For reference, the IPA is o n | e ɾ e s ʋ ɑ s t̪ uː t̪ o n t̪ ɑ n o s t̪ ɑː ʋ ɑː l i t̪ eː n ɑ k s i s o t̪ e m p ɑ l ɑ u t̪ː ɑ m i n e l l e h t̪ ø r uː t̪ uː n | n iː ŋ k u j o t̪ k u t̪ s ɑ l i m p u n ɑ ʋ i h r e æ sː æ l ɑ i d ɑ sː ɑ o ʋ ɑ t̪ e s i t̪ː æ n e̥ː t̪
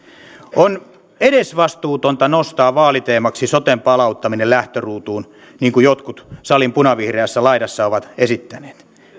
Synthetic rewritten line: o n | e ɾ e s ʋ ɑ s t̪ uː t̪ o n t̪ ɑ n o s t̪ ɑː ʋ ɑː l i t̪ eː m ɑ k s i s o t̪ e m p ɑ l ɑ u t̪ː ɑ m i n e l l æ h t̪ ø r uː t̪ uː n | n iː ŋ k u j o t̪ k u t̪ s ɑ l i m p u n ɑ ʋ i h r e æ sː æ l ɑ i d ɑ sː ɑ o ʋ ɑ t̪ e s i t̪ː æ n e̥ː t̪